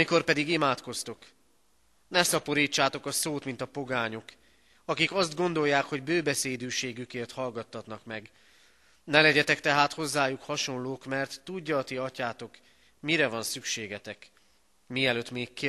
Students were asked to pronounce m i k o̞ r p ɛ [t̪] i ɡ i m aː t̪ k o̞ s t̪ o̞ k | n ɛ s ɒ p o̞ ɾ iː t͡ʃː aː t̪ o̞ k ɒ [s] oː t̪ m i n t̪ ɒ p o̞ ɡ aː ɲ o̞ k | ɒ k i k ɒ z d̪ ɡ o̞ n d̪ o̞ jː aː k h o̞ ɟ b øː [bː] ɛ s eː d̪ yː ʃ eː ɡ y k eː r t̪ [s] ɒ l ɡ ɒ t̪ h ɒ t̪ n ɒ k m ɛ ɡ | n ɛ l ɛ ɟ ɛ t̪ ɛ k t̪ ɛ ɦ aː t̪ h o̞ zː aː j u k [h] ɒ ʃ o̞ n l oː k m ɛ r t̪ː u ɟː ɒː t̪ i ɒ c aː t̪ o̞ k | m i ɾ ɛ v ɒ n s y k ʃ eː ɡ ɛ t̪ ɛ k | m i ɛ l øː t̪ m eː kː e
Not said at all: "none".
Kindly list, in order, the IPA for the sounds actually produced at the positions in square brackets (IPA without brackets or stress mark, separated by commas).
d̪, s, b, h, h